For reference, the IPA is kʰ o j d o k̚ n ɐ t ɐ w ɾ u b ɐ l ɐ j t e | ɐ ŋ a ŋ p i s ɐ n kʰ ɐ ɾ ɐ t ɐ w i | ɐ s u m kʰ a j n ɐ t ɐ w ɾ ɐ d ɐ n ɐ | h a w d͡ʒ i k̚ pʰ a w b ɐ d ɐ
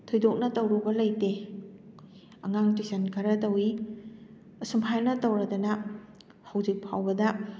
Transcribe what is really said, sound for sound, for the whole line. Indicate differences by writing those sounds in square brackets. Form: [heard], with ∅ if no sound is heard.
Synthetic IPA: [tʰ] o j d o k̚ n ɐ t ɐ w ɾ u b ɐ l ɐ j t e | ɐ ŋ a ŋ [t] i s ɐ n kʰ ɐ ɾ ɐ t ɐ w i | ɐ s u m [pʰ] a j n ɐ t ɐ w ɾ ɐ d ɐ n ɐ | h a w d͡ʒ i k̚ pʰ a w b ɐ d ɐ